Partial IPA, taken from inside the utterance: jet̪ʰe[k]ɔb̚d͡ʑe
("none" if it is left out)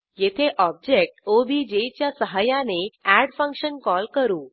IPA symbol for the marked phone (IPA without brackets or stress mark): ʔ